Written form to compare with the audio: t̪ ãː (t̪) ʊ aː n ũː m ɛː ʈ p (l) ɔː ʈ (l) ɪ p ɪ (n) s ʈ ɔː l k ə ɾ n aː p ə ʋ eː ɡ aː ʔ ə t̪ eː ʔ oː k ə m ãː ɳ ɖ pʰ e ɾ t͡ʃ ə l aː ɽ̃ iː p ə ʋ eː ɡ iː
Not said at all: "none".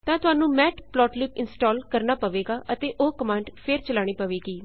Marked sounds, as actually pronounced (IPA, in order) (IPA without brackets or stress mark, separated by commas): t̪, l, l, n